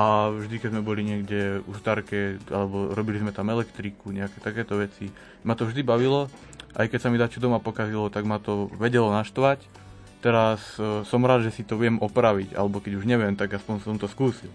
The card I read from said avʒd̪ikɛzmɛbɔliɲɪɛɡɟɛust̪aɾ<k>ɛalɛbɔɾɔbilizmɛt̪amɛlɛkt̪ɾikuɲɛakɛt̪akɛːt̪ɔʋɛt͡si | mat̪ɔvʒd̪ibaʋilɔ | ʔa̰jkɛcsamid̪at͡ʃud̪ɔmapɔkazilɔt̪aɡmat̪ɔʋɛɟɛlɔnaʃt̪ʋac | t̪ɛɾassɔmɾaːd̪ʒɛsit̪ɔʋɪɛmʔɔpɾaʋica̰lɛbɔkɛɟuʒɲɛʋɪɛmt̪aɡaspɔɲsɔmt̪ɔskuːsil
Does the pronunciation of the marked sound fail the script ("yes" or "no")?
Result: no